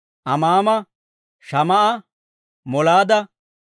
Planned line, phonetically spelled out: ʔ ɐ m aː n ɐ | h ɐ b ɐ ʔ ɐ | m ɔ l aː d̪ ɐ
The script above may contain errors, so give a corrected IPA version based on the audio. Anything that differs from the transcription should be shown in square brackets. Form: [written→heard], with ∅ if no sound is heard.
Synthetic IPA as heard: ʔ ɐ m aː [n→m] ɐ | [h→ʃ] ɐ [b→m] ɐ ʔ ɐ | m ɔ l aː d̪ ɐ